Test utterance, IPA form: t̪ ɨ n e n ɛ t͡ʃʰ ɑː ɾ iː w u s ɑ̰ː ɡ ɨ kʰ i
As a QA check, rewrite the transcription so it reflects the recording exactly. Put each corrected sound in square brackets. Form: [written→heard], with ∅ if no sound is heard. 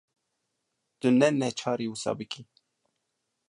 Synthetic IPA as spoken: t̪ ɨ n [e→ɛ] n ɛ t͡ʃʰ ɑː ɾ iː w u s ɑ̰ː [ɡ→b] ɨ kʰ i

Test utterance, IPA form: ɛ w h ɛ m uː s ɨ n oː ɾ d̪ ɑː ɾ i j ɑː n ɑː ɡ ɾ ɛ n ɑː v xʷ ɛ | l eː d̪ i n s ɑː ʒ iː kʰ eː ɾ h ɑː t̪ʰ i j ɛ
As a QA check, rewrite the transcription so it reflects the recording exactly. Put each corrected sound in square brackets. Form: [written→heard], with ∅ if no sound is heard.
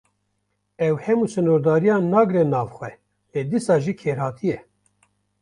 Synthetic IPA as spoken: ɛ w h ɛ m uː s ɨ n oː ɾ d̪ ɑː ɾ i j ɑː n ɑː ɡ ɾ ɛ n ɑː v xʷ ɛ | l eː d̪ i [n→∅] s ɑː ʒ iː kʰ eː ɾ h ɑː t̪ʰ i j ɛ

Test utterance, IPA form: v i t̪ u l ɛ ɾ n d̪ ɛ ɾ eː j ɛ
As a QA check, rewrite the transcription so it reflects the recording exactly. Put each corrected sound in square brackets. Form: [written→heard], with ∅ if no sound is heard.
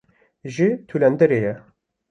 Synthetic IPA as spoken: [v→ʒ] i [t̪→t̪ʰ] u l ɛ [ɾ→∅] n d̪ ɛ ɾ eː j ɛ

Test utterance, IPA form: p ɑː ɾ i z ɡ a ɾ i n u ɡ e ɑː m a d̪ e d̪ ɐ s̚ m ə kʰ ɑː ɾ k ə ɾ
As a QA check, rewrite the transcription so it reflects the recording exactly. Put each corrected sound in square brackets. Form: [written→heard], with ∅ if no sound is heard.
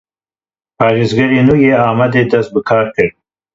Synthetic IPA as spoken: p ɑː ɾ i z ɡ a ɾ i n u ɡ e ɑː m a d̪ e d̪ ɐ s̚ [m→b] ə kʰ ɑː ɾ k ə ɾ

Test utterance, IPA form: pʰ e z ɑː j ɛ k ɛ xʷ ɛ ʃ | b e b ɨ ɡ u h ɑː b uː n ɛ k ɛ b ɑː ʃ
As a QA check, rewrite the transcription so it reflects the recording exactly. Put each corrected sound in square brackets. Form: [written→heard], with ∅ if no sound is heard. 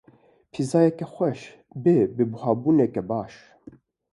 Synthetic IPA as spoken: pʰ [e→i] z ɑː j ɛ k ɛ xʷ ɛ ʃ | b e b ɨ [ɡ→b] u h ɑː b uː n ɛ k ɛ b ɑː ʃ

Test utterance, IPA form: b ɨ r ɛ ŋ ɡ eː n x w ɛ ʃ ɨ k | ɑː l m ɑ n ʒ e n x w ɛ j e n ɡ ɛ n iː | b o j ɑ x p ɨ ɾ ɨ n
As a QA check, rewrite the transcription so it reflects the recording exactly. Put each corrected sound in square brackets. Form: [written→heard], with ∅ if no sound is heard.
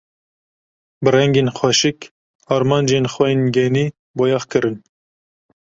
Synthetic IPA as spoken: b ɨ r ɛ ŋ ɡ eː n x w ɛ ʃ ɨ k | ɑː [l→ɾ] m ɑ n [ʒ→d͡ʒ] e n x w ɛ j e n ɡ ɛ n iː | b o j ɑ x [p→k] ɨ ɾ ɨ n

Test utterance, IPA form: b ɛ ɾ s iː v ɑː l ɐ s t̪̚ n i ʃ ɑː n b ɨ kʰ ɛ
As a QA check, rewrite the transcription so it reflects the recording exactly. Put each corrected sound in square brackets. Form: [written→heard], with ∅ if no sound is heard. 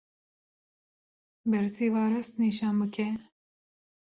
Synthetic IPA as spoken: b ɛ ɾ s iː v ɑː [l→ɾ] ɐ s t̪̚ n i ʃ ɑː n b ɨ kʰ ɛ

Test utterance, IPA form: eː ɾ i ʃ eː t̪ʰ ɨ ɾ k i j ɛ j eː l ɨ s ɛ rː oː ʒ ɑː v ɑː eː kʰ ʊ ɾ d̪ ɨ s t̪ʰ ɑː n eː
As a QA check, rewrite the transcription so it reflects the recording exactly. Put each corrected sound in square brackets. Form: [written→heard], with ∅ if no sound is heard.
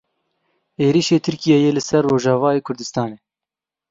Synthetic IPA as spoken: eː ɾ i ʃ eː t̪ʰ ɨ ɾ k i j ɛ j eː l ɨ s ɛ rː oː ʒ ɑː v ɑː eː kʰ ʊ ɾ d̪ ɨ s [t̪ʰ→t̪] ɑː n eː

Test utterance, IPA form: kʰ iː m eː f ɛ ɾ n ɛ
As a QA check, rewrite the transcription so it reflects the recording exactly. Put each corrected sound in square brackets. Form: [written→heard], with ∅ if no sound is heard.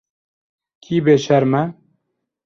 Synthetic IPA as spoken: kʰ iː [m→b] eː [f→ʃ] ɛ ɾ [n→m] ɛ

